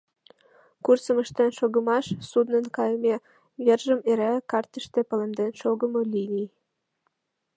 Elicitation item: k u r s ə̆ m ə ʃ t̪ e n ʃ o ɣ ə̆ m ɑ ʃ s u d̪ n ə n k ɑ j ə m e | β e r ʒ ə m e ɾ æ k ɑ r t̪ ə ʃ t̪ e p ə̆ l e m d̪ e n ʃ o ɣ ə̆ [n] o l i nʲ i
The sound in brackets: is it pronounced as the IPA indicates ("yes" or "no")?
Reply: no